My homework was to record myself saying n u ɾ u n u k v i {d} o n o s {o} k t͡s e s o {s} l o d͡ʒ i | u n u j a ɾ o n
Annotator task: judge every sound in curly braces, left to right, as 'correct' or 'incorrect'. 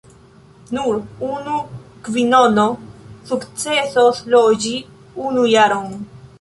incorrect, incorrect, correct

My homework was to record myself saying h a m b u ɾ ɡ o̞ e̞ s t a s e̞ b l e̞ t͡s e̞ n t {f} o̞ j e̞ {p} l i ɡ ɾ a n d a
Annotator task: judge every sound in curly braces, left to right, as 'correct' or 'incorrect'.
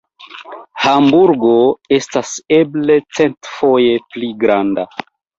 correct, correct

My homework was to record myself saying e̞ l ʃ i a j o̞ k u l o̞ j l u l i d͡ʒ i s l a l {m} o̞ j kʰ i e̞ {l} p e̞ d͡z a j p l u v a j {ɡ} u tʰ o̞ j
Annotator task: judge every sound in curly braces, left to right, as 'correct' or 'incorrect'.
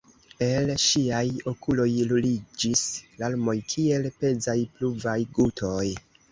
correct, correct, correct

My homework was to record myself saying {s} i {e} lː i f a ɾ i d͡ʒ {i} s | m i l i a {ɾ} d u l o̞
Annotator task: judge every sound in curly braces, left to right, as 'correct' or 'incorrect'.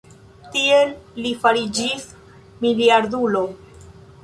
incorrect, correct, correct, correct

